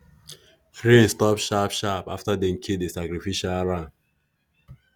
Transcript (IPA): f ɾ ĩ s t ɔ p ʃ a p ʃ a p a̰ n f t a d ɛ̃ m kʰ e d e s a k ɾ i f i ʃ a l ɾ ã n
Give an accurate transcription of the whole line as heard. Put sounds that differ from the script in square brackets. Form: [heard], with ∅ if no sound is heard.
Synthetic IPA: f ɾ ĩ s t ɔ p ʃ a p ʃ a p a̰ [∅] f t a d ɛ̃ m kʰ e d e s a k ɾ i f i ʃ a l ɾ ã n